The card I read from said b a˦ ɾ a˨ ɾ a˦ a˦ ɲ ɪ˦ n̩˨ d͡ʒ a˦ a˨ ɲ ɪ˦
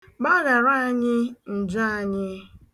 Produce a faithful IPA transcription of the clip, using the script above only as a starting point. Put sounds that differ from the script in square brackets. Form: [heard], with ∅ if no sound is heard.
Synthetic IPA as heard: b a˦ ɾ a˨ ɾ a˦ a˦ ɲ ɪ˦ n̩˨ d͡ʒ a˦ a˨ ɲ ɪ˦